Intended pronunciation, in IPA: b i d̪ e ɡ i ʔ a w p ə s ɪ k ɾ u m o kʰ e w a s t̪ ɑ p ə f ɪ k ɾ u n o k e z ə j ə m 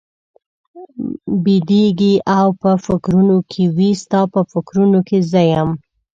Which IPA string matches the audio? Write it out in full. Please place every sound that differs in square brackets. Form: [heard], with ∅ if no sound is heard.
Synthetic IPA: b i d̪ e ɡ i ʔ a w p ə [f] ɪ k ɾ u [n] o kʰ e w [i] s t̪ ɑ p ə f ɪ k ɾ u n o k e z ə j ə m